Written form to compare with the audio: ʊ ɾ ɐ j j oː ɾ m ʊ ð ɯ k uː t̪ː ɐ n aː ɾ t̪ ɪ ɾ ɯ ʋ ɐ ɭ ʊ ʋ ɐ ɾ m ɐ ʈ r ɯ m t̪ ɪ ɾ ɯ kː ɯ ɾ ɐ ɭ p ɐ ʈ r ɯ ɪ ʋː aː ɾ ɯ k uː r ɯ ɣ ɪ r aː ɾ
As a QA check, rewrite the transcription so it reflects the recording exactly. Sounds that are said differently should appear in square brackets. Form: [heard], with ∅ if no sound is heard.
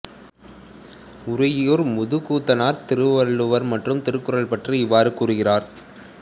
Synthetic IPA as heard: ʊ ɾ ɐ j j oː ɾ m ʊ ð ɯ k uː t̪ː ɐ n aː ɾ t̪ ɪ ɾ ɯ ʋ ɐ ɭ [ɯ] ʋ ɐ ɾ m ɐ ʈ r ɯ m t̪ ɪ ɾ ɯ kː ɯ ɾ ɐ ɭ p ɐ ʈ r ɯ ɪ ʋː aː ɾ ɯ k uː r ɯ ɣ ɪ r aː ɾ